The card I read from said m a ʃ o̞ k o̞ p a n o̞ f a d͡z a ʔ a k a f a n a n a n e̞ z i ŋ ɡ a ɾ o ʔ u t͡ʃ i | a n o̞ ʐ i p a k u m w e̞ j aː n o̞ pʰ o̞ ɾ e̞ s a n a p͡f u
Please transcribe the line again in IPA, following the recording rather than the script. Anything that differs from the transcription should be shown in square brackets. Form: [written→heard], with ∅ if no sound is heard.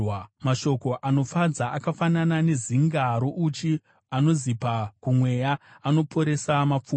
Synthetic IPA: m a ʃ o̞ k o̞ [p→ʔ] a n o̞ f a d͡z a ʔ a k a f a n a n a n e̞ z i ŋ ɡ a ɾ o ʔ u t͡ʃ i | a n o̞ [ʐ→z] i p a k u m w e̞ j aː n o̞ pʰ o̞ ɾ e̞ s a [n→m] a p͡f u